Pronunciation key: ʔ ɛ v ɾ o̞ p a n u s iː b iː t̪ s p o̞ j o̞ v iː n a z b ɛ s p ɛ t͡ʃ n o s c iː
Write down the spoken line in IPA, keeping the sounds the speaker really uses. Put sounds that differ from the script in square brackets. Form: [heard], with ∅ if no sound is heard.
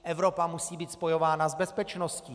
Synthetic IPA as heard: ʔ ɛ v ɾ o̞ p a [m] u s iː b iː t̪ s p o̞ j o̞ v [aː] n a z b ɛ s p ɛ t͡ʃ n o s c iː